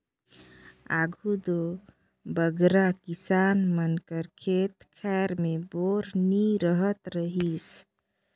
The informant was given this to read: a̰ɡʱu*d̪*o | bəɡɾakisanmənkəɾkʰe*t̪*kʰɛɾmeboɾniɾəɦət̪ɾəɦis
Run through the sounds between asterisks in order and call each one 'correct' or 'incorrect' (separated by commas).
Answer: correct, correct